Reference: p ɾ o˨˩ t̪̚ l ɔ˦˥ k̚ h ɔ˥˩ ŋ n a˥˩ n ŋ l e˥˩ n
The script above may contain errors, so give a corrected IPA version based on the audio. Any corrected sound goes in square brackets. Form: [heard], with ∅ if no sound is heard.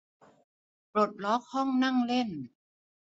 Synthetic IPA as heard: p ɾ o˨˩ t̪̚ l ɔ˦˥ k̚ h ɔ˥˩ ŋ n a˥˩ [∅] ŋ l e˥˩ n